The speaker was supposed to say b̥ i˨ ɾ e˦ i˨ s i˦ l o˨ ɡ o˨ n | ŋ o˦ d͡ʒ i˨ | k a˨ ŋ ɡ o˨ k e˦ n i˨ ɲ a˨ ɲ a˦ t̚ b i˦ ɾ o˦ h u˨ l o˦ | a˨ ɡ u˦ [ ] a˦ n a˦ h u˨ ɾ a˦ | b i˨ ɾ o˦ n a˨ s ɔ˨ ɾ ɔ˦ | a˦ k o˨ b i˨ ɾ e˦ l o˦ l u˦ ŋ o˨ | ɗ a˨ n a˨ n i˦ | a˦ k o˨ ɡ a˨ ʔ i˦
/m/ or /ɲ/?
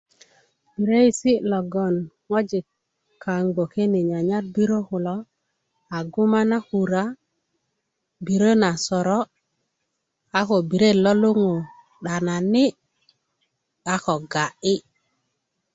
m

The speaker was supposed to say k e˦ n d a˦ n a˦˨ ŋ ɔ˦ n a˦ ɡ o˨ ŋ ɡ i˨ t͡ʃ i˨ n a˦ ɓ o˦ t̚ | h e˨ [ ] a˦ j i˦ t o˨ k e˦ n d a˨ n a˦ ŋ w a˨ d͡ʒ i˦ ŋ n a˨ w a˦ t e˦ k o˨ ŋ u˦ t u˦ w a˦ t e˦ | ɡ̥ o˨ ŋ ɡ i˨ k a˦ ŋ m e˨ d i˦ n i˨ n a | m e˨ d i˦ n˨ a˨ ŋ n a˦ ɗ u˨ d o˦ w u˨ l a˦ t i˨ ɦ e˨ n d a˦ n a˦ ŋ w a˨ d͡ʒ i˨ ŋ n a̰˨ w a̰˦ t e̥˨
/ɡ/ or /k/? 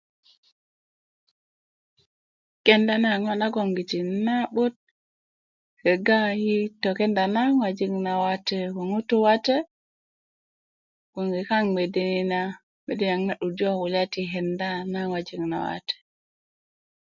ɡ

